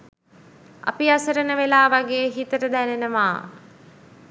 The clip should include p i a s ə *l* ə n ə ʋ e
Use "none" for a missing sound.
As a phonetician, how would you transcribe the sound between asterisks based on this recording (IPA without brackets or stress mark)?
ɾ